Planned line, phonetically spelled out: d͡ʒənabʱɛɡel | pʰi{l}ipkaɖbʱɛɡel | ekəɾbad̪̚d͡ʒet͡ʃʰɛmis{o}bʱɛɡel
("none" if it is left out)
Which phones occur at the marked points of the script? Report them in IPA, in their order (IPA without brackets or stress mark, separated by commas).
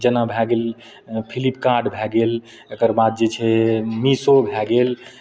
l, o